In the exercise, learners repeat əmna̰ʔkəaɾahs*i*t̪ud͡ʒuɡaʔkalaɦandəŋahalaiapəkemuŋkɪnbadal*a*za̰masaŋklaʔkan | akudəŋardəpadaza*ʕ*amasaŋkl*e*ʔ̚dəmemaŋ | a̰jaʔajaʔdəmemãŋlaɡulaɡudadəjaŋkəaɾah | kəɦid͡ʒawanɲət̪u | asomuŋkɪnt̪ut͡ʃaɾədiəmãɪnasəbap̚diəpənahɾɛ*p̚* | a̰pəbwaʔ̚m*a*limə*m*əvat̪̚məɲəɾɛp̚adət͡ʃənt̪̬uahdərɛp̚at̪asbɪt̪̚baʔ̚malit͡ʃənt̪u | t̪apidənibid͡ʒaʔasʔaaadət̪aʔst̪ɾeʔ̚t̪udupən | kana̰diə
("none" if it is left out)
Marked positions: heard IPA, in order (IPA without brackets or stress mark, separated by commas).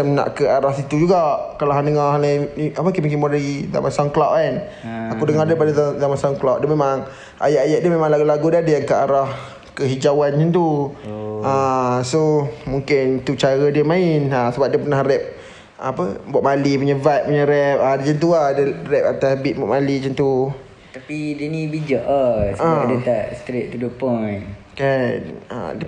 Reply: i, i, z, a, p̚, a, ɲ